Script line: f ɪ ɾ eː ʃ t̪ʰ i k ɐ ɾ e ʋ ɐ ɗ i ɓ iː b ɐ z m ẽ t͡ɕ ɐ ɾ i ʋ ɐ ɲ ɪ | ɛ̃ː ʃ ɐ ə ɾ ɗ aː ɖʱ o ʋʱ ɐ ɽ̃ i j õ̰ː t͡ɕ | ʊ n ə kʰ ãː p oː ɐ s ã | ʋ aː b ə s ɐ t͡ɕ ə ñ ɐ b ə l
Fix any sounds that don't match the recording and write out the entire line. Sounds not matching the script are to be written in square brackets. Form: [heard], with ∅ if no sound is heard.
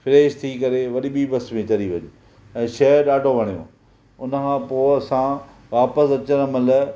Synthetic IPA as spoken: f ɪ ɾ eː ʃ t̪ʰ i k ɐ ɾ e ʋ ɐ ɗ i ɓ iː b ɐ [s] m ẽ t͡ɕ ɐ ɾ i ʋ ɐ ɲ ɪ | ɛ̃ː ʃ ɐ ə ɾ ɗ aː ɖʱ o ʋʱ ɐ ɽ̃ i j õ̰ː [∅] | ʊ n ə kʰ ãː p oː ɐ s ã | ʋ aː [p] ə s ɐ t͡ɕ ə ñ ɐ [m] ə l